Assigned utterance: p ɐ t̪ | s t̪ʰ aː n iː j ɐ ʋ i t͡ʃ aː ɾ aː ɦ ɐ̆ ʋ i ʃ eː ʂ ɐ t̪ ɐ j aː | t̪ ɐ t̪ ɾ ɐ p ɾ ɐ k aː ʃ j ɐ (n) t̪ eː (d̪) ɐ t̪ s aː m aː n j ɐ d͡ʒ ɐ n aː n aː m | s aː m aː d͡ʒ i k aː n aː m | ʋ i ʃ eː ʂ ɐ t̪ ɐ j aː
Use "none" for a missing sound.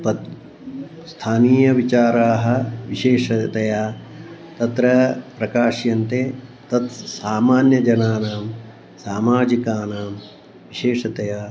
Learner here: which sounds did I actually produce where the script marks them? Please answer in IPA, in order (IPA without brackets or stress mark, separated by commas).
n, t̪